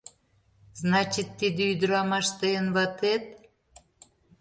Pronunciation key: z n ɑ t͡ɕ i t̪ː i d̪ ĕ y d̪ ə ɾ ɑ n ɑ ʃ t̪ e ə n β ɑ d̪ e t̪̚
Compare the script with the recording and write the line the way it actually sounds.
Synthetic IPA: z n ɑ t͡ɕ i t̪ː i d̪ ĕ y d̪ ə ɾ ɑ m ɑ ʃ t̪ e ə n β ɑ t̪ e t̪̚